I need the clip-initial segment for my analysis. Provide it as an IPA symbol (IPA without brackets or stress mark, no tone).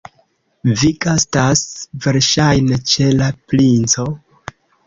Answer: v